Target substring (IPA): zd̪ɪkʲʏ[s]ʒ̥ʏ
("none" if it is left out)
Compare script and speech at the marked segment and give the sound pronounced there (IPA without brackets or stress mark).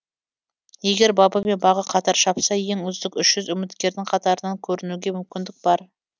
ʃ